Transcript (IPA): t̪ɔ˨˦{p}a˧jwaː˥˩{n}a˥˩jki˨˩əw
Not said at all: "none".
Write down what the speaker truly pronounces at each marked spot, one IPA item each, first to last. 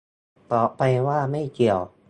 p, m

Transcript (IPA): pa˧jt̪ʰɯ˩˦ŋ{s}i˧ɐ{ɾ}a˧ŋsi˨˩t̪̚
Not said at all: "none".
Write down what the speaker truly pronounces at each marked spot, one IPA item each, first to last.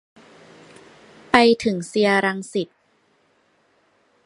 s, ɾ

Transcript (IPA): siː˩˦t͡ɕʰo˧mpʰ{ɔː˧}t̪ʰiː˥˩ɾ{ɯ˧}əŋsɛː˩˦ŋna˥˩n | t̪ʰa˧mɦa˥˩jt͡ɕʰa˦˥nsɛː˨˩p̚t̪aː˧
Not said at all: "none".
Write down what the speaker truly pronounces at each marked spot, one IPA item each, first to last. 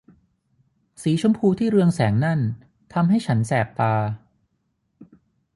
uː˧, ɯ˧

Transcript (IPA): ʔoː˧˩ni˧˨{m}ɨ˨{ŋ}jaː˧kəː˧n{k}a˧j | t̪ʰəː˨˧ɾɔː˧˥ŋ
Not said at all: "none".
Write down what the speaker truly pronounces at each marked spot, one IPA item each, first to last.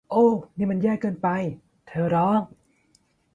m, n, p

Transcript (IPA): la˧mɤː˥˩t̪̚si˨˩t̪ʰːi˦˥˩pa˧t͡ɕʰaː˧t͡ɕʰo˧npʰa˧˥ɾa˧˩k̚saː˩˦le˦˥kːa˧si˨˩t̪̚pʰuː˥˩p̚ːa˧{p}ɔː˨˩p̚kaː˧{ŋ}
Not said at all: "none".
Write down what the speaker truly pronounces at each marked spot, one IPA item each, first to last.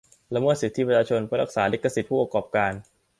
k, n

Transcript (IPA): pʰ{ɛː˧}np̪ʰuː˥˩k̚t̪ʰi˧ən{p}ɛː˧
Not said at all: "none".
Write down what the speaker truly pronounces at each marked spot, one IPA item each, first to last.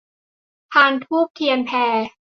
aː˧, pʰ

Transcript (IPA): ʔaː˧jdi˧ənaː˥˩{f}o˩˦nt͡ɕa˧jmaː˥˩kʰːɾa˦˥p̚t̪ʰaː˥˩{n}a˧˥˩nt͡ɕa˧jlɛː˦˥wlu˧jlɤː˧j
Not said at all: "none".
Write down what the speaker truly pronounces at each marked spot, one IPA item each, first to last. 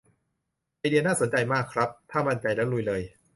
s, m

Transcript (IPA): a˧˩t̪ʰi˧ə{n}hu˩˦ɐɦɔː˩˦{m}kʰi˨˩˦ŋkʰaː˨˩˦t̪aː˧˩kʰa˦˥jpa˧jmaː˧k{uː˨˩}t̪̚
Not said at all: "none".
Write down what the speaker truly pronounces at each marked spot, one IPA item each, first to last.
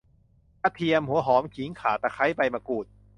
m, m, uː˨˩

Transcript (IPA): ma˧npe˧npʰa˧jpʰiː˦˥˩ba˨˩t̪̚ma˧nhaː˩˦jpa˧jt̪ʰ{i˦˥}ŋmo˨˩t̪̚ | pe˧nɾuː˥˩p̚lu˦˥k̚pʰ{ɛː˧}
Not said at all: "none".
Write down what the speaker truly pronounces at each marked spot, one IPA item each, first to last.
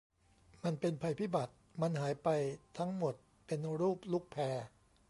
a˦˥, ɛː˧

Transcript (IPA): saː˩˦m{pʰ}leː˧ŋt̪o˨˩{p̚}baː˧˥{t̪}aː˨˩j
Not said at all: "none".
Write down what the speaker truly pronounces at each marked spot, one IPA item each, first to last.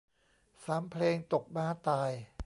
pʰ, k̚, t̪

